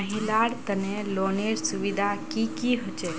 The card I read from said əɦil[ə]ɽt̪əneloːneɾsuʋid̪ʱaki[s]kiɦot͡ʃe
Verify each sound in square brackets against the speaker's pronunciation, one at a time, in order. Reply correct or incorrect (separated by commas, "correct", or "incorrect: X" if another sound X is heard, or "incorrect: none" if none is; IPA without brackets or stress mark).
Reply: incorrect: a, incorrect: none